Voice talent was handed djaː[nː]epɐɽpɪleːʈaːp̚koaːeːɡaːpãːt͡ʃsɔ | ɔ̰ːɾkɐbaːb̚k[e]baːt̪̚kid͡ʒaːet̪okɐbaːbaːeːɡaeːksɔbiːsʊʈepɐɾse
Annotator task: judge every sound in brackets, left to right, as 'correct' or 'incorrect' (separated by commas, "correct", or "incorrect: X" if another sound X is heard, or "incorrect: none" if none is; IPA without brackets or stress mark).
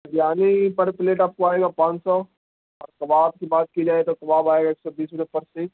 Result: incorrect: n, incorrect: i